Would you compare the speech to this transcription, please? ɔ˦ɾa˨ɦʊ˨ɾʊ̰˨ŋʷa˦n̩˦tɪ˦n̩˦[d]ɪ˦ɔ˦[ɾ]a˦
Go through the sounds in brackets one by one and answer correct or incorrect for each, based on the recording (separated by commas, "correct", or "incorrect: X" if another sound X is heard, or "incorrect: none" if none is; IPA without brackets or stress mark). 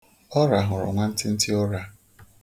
incorrect: t, correct